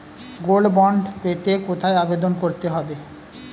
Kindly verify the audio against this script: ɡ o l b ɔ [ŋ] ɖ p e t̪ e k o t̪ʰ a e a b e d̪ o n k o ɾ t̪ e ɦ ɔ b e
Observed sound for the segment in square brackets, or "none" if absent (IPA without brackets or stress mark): ɳ